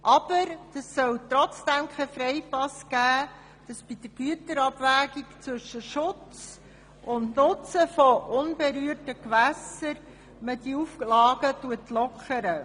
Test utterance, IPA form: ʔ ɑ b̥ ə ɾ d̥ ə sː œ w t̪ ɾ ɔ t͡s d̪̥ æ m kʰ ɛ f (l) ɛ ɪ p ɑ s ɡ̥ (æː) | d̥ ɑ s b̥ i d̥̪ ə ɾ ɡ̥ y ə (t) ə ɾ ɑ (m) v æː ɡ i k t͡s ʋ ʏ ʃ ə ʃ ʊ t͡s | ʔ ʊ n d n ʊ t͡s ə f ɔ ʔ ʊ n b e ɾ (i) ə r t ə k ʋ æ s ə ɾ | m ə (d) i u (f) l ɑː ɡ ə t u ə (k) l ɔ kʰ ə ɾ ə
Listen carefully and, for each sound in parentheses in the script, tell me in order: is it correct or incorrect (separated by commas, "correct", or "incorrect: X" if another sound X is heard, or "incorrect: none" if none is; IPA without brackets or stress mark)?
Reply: incorrect: ɾ, correct, correct, incorrect: b, incorrect: y, correct, correct, incorrect: t